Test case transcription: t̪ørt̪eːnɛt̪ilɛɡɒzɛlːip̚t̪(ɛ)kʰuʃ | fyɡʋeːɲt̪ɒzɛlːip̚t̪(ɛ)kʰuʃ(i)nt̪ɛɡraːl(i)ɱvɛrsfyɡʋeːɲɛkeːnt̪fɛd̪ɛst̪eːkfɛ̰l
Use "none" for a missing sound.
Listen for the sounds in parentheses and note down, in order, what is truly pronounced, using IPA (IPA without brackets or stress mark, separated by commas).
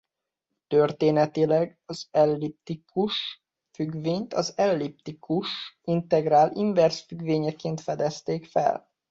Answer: i, i, i, i